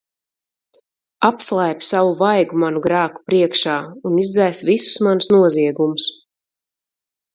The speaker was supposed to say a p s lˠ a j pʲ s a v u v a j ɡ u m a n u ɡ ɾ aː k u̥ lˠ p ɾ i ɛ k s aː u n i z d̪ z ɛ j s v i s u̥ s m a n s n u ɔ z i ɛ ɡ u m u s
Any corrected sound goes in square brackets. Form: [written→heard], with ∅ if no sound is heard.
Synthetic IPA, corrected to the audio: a p s lˠ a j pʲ s a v u v a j ɡ u m a n u ɡ ɾ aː k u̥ [lˠ→∅] p ɾ i ɛ k [s→ʃ] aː u n i z d̪ z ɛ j s v i s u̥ s m a n s n u ɔ z i ɛ ɡ u m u s